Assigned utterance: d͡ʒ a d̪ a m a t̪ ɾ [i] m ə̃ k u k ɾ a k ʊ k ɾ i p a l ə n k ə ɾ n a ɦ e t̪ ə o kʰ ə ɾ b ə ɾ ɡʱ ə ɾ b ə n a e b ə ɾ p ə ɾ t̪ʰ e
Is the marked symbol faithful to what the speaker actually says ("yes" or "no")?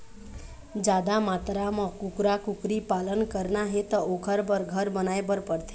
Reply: no